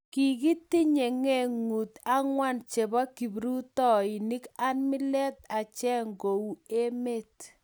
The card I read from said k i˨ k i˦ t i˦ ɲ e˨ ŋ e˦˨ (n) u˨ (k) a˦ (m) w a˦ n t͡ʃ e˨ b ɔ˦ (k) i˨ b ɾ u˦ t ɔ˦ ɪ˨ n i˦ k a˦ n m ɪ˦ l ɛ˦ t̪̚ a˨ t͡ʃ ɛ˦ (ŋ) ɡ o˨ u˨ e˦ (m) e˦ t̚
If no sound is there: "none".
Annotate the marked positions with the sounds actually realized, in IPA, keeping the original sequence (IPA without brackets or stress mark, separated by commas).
ŋ, t, ŋ, k, ŋ, m